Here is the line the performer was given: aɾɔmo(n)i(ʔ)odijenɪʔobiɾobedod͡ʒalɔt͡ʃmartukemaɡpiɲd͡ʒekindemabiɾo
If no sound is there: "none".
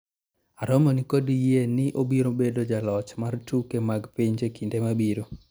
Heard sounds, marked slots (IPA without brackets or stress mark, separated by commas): n, k